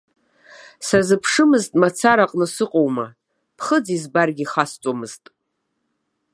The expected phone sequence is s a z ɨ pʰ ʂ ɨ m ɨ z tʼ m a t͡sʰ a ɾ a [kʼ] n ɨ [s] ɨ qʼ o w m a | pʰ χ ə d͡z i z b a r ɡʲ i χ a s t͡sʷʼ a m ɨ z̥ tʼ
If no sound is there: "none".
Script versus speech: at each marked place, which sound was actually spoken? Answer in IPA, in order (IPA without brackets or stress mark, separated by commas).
qʼ, s